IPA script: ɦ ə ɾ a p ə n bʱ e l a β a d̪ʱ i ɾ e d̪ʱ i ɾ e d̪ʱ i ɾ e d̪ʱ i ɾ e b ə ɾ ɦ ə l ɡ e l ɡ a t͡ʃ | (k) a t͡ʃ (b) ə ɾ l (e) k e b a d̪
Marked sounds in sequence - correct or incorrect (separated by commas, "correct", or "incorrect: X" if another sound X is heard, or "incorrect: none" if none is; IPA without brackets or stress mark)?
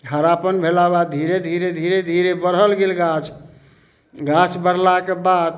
incorrect: ɡ, correct, incorrect: a